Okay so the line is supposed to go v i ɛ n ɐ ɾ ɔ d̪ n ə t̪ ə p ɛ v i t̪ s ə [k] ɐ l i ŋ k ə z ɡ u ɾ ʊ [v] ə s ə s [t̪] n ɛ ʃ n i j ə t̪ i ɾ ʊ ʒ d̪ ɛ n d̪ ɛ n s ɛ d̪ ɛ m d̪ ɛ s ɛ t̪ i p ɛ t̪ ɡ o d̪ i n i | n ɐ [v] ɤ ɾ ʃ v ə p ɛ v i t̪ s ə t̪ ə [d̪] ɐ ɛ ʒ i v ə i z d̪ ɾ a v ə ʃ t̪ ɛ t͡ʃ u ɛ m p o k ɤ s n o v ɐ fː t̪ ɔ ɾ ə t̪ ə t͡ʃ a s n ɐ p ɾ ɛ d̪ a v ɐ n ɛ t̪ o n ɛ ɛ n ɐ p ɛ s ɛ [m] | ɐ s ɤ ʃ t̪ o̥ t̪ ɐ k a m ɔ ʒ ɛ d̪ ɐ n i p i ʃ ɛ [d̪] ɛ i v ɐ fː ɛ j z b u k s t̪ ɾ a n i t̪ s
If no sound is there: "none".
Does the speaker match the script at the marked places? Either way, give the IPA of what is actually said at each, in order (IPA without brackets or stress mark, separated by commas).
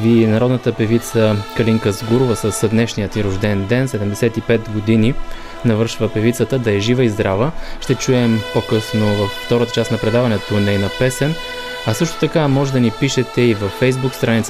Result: k, v, d̪, v, d̪, n, t̪